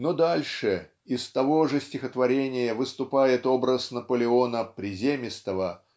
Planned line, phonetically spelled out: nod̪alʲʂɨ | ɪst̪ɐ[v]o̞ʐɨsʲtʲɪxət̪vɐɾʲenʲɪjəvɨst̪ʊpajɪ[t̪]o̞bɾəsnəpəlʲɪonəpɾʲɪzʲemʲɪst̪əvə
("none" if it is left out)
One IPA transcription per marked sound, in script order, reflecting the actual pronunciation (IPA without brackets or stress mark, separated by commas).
v, t̪